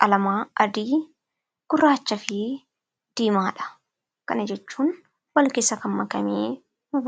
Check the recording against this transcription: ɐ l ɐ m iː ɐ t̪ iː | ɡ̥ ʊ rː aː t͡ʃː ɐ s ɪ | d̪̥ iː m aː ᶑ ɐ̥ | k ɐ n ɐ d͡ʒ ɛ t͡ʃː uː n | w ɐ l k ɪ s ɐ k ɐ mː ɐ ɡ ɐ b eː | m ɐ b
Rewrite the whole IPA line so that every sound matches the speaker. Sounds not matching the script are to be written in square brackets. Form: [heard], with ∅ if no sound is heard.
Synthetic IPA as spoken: ɐ l ɐ m [aː] ɐ [d̪] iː | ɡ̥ ʊ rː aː t͡ʃː ɐ [f] ɪ | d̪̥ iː m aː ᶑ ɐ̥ | k ɐ n ɐ d͡ʒ ɛ t͡ʃː uː n | w ɐ l k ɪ s ɐ k ɐ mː ɐ [k] ɐ [m] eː | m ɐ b